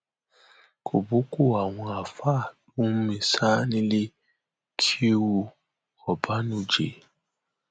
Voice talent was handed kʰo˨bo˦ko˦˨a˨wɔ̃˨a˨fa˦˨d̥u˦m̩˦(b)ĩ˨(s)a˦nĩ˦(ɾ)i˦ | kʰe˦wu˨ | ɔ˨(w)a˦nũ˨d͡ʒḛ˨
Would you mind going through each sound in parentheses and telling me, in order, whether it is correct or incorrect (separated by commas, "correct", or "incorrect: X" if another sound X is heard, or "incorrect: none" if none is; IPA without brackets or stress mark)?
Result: incorrect: m, correct, incorrect: l, incorrect: b